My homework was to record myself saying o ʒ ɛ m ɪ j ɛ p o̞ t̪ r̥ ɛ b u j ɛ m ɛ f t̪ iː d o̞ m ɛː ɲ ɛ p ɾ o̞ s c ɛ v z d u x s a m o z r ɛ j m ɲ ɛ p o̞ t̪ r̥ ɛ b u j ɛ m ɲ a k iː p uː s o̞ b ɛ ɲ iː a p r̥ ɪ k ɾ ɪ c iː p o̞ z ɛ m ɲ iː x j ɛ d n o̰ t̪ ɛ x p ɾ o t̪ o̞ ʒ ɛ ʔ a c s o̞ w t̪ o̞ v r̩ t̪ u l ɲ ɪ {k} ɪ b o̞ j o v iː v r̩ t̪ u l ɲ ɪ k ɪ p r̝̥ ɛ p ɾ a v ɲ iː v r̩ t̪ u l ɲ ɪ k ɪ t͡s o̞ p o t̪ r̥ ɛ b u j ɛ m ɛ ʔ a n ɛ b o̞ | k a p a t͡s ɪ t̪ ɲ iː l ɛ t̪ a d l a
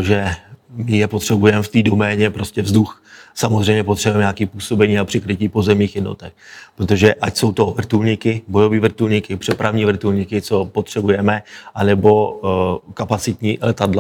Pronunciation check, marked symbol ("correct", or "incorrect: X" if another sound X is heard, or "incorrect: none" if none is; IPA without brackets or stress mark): correct